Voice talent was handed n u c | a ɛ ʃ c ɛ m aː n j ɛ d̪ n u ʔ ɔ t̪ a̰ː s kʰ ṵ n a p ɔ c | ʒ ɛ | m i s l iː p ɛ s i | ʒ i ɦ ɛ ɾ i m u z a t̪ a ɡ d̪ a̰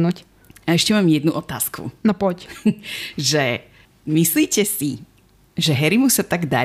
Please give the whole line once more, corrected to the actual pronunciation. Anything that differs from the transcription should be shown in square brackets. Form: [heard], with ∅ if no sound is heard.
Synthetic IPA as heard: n u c | a ɛ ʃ c ɛ m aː [m] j ɛ d̪ n u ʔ ɔ t̪ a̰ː s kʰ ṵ n a p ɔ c | ʒ ɛ | m i s l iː [c] ɛ s i | ʒ [ɛ] ɦ ɛ ɾ i m u [s] a t̪ a ɡ d̪ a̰